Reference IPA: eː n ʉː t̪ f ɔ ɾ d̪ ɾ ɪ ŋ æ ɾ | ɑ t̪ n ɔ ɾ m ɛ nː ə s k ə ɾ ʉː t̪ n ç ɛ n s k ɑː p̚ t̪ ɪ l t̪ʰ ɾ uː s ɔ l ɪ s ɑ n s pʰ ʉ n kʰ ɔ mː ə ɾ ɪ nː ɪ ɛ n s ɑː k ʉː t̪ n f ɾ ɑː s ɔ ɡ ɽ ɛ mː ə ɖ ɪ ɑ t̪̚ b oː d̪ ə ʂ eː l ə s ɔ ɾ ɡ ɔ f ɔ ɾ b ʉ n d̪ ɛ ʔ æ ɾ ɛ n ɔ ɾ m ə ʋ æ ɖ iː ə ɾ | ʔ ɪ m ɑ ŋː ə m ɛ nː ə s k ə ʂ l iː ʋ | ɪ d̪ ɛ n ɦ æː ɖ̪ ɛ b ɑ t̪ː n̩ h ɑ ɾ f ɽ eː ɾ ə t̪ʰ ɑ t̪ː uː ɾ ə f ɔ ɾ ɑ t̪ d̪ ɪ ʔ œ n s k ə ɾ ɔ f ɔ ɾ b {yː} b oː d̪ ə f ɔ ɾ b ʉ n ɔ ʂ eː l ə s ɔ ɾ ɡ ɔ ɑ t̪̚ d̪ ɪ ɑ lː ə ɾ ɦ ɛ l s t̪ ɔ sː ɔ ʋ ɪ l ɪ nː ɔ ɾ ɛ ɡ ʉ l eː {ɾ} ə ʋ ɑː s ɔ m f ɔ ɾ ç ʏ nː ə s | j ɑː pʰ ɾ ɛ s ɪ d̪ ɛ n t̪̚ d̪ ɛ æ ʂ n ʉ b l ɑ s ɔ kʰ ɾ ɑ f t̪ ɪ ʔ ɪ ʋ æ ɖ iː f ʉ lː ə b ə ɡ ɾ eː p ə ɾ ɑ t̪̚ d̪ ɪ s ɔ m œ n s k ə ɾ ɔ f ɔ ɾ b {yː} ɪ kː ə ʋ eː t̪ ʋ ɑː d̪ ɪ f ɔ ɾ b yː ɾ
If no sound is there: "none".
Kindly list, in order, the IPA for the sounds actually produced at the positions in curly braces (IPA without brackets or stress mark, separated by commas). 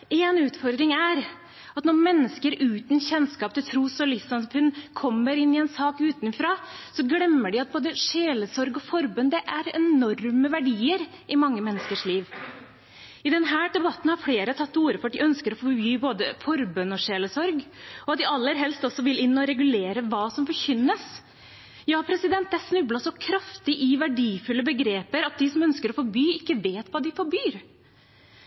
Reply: yː, ɾ, yː